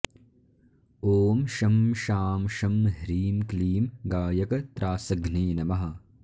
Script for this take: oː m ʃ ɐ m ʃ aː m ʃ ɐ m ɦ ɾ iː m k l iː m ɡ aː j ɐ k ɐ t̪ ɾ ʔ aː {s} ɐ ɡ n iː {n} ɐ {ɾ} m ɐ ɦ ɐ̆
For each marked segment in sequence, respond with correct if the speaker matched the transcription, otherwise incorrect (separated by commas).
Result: correct, correct, incorrect